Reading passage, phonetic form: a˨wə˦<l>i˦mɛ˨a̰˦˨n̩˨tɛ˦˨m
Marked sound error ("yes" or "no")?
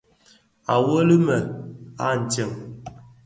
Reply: no